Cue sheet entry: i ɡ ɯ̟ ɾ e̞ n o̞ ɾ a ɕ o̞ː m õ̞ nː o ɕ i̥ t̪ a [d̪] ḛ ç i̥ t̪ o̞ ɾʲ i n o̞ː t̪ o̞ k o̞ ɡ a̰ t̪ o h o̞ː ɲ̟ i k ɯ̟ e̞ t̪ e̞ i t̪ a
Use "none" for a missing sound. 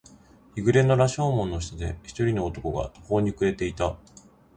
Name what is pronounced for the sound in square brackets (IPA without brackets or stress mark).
d̪